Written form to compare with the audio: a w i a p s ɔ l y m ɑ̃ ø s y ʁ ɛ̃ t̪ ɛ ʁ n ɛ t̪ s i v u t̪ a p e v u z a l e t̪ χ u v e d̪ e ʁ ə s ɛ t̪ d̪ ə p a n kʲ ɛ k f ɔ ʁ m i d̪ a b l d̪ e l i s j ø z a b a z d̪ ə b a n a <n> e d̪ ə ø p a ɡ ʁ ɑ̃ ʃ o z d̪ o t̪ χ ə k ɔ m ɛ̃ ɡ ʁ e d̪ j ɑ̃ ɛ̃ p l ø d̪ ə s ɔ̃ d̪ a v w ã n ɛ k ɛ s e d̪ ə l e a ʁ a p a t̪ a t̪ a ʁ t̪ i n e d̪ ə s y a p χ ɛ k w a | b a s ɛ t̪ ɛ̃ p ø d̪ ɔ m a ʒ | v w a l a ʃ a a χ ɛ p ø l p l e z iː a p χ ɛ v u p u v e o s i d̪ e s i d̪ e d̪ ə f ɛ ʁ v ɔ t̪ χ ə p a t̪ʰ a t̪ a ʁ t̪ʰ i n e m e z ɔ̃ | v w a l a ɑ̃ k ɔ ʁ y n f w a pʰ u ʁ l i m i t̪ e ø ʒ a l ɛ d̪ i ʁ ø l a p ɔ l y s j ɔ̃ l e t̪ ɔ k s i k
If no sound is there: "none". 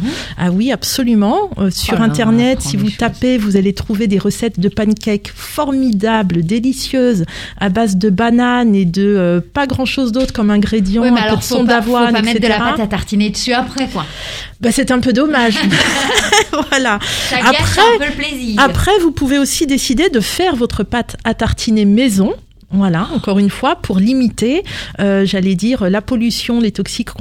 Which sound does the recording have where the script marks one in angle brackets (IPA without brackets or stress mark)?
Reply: n